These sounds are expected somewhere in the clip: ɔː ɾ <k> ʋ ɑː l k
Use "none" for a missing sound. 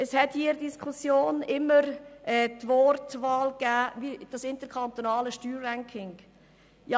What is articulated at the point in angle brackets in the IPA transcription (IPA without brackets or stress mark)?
t